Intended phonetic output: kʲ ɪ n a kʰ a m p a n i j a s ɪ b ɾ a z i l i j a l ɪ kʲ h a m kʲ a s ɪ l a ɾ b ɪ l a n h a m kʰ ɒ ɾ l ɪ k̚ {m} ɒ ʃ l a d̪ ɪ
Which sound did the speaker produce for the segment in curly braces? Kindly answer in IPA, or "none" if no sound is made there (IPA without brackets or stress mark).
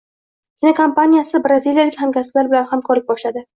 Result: b